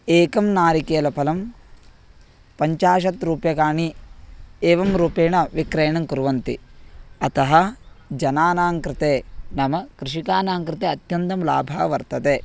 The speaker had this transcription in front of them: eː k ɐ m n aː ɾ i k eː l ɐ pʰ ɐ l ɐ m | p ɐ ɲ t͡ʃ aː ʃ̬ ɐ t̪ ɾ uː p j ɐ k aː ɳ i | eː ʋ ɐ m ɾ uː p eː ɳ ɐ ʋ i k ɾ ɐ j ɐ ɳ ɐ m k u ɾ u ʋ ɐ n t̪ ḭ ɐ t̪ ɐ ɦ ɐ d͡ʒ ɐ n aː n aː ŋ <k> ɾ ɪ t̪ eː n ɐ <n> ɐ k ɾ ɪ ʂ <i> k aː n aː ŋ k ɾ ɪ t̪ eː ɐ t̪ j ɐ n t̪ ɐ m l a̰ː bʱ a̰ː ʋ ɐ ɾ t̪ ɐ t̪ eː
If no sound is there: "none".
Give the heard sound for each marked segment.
k, m, i

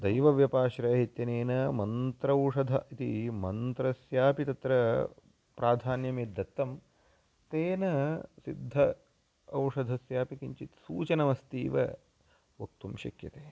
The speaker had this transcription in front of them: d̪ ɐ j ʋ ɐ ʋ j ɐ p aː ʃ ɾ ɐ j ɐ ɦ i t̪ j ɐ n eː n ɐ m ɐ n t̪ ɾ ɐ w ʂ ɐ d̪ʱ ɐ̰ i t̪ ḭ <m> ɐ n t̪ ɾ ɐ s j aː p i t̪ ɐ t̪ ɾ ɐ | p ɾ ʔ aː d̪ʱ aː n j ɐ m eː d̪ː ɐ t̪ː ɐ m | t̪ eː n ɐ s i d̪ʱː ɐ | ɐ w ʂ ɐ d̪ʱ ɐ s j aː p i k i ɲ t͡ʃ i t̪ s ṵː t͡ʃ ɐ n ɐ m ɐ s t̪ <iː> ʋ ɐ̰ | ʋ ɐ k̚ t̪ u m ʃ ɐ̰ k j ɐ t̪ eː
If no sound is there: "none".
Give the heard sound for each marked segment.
m, iː

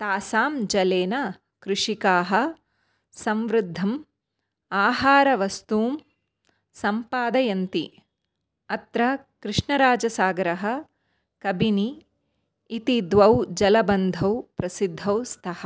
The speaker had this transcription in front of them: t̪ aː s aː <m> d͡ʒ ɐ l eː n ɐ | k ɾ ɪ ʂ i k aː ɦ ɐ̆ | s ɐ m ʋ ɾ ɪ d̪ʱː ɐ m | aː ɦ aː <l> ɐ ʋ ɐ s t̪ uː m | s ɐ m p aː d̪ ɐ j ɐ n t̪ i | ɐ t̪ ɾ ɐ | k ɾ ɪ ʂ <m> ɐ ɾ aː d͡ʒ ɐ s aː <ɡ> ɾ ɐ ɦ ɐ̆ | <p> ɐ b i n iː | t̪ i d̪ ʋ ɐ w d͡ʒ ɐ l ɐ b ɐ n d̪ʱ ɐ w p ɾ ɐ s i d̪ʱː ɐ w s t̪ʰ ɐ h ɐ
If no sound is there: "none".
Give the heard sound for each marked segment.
m, ɾ, ɳ, ɡ, k

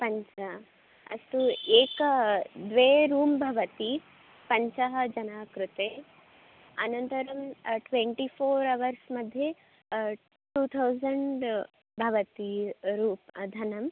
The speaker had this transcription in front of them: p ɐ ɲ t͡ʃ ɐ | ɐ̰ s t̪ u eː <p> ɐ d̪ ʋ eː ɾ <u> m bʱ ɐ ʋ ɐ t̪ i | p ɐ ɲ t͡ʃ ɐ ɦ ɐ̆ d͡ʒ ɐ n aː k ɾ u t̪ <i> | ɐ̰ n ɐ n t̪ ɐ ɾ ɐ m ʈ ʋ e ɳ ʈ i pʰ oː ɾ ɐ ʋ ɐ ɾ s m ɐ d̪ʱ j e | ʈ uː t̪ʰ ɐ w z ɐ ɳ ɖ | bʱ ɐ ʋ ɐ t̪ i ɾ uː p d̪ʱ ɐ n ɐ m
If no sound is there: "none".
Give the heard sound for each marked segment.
k, uː, e

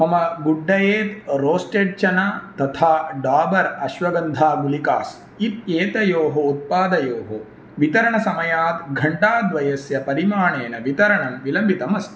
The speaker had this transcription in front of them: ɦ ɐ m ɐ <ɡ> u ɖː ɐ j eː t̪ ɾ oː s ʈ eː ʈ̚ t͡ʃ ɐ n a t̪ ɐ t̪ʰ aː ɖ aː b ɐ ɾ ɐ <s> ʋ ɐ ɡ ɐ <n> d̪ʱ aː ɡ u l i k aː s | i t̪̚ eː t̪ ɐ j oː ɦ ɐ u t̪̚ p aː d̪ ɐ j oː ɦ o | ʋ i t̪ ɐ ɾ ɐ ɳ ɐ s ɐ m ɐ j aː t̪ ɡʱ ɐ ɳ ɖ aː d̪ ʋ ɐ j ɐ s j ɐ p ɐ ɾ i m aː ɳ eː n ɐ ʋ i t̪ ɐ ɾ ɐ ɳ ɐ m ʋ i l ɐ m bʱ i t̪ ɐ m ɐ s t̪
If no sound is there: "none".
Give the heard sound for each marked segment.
ɡ, ʃ, n

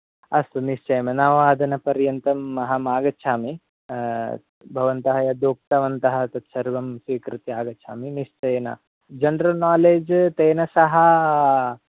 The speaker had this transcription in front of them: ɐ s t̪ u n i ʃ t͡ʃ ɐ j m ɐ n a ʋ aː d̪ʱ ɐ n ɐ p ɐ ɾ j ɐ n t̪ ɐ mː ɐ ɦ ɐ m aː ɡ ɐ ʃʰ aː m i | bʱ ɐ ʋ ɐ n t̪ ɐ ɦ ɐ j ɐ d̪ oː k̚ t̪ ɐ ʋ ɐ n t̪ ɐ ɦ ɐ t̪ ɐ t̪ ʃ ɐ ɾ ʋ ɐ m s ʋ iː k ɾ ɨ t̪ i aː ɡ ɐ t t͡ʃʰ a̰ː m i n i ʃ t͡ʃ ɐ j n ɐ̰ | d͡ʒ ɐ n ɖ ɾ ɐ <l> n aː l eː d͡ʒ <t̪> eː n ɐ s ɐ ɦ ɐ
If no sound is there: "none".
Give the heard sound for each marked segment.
l, t̪

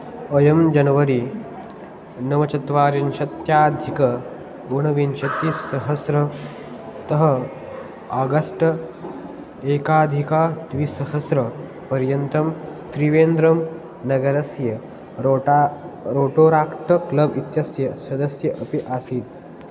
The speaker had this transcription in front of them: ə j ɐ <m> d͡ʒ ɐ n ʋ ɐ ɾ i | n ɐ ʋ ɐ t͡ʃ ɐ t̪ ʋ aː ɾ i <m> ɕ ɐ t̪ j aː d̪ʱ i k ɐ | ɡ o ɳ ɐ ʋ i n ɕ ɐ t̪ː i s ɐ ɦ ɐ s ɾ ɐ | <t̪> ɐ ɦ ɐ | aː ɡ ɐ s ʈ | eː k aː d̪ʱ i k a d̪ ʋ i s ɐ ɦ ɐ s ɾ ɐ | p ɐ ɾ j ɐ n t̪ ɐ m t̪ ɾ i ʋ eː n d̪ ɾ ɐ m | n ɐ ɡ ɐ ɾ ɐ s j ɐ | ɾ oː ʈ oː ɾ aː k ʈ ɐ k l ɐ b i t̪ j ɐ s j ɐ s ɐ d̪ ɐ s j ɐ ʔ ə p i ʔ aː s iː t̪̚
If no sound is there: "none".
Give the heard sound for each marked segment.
m, n, t̪

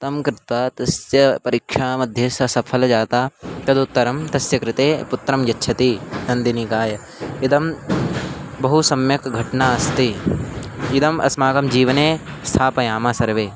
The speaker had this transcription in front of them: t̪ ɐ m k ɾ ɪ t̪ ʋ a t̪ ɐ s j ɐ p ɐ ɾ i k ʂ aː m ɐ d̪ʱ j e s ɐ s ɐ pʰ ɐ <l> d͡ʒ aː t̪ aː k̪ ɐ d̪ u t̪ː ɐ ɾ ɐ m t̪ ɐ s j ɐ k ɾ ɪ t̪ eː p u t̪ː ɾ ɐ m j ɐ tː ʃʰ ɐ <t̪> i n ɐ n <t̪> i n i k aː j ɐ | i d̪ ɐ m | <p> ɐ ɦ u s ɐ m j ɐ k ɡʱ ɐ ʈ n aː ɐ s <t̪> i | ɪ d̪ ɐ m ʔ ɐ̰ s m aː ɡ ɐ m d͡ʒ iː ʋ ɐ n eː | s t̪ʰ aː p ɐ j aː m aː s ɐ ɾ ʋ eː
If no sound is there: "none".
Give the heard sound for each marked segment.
l, t̪, d̪, b, t̪

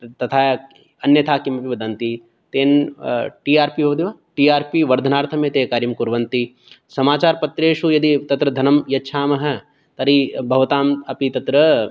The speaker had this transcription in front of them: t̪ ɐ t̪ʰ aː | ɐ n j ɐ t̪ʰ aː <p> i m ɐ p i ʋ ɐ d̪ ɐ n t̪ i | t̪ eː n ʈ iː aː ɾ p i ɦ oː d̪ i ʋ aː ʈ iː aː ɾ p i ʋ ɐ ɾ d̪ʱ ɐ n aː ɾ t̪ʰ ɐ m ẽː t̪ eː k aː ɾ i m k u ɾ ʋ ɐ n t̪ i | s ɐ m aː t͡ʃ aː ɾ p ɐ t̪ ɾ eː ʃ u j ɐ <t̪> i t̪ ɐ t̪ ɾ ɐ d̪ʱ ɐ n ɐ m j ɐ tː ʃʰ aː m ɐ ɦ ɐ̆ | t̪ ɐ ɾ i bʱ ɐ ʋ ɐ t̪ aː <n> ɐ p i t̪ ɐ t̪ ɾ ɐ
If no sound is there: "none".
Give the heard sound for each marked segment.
k, d̪, m

